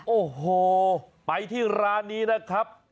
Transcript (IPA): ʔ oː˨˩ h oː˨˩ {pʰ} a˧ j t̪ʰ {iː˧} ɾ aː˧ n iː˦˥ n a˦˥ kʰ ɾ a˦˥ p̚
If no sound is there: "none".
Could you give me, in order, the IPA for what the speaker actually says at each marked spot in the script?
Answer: p, iː˥˩

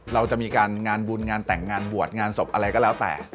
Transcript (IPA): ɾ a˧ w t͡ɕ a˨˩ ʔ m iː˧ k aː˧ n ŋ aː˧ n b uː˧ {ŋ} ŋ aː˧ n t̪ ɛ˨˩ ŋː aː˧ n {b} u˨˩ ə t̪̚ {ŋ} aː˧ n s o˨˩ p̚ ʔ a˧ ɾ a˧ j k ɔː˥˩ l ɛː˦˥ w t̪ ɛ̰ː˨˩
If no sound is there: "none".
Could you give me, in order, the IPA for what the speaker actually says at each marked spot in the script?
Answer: n, b, ŋ

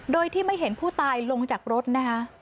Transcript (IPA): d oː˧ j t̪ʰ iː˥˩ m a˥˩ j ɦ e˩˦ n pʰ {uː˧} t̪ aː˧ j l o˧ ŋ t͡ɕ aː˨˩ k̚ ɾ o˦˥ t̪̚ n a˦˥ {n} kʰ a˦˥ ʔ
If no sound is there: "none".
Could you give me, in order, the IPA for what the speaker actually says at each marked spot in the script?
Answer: uː˥˩, none

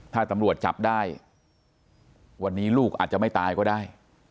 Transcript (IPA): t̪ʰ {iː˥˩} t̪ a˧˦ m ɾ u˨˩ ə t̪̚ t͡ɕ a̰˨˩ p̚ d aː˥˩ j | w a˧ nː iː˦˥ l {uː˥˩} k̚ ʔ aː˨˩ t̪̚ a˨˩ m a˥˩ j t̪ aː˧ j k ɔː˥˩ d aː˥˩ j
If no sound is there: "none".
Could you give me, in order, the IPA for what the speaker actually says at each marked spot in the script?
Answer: aː˥˩, uː˥˩

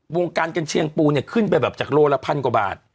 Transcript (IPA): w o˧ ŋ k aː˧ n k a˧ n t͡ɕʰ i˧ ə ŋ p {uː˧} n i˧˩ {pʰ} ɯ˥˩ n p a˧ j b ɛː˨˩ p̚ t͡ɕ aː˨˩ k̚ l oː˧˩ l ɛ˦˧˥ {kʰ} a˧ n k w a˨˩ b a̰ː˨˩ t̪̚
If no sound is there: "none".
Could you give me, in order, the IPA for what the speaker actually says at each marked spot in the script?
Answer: uː˧, kʰ, pʰ

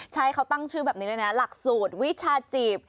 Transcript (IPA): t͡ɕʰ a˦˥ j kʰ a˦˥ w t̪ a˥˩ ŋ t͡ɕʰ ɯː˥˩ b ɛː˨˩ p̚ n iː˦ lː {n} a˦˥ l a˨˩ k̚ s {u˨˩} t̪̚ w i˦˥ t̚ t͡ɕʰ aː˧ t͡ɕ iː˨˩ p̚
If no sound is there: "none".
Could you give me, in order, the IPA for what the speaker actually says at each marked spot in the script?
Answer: n, uː˨˩

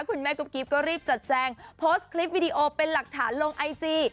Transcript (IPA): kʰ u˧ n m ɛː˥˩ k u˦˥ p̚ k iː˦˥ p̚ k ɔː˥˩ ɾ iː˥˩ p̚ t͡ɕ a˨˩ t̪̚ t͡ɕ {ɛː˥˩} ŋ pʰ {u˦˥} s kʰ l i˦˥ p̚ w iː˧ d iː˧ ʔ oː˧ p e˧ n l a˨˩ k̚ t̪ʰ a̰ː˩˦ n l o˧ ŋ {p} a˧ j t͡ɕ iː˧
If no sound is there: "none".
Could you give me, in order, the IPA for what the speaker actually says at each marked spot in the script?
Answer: ɛː˧, o˦˥, ʔ

